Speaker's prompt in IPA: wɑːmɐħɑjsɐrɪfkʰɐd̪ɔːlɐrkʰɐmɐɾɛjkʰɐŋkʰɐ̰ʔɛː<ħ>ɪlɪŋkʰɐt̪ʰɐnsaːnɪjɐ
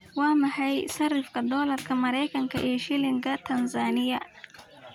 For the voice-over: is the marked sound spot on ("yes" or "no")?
no